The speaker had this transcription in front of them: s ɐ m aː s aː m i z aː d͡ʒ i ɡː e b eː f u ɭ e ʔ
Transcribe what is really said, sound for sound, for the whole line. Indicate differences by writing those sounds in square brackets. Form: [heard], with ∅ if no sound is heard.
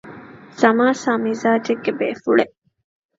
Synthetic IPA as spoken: s ɐ m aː s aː m i z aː d͡ʒ [e] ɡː e b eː f u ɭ e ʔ

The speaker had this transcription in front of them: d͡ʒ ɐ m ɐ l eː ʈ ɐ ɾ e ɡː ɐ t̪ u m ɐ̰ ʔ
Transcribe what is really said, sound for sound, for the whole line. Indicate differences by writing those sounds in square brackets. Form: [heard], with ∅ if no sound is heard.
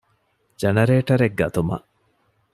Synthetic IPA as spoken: d͡ʒ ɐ [n] ɐ [ɾ] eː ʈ ɐ ɾ e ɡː ɐ t̪ u m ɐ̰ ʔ

